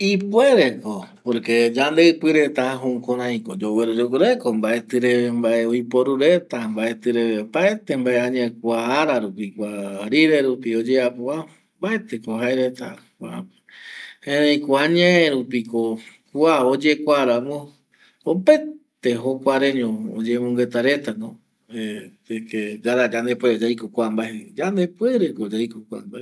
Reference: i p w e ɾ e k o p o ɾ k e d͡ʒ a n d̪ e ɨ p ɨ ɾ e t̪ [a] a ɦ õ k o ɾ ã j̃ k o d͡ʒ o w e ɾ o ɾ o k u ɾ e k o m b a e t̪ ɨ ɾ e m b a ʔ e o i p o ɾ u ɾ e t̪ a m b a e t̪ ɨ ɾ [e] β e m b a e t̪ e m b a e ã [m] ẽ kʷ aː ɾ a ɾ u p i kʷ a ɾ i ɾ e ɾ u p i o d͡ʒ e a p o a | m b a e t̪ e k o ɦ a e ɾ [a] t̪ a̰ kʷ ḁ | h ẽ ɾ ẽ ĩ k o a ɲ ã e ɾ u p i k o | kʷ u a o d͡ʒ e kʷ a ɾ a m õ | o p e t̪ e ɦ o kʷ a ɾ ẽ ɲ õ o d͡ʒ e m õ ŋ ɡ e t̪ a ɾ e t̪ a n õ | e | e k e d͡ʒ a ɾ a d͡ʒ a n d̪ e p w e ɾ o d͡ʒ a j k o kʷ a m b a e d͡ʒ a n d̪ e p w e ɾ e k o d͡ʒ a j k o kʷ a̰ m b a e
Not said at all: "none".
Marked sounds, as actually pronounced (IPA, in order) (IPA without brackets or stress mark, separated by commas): a, e, ɲ, e